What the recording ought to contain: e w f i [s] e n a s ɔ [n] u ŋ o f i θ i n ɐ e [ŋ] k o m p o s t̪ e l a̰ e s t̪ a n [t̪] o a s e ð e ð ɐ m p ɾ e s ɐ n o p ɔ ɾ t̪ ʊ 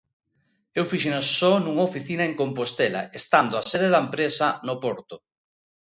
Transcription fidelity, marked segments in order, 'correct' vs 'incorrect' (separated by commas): incorrect, correct, correct, incorrect